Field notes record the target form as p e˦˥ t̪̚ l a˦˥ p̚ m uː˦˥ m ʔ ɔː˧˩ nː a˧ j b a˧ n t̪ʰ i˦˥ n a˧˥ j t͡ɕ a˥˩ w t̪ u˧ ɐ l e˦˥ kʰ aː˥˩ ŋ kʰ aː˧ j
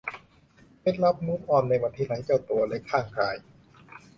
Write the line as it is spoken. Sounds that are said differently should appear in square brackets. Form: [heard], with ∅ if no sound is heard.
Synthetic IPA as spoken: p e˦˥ t̪̚ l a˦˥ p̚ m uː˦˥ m ʔ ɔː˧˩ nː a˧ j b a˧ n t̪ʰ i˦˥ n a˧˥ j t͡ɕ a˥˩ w t̪ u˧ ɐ l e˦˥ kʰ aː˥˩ ŋ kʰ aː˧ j